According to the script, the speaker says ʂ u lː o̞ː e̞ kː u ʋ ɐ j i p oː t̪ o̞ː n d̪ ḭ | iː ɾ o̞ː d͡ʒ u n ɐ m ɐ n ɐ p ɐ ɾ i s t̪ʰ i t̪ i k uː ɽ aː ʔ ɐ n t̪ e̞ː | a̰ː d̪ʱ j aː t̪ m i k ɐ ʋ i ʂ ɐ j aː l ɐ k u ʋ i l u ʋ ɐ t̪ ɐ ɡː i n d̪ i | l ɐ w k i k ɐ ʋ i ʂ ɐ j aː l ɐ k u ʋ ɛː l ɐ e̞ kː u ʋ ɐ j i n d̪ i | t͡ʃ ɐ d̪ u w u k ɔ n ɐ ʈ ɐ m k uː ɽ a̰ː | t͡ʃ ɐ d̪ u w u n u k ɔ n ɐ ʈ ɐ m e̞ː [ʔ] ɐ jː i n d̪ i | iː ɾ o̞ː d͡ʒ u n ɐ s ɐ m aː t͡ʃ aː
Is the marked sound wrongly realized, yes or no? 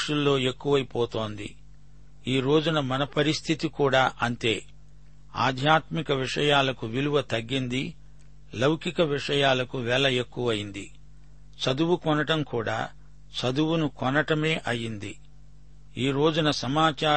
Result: no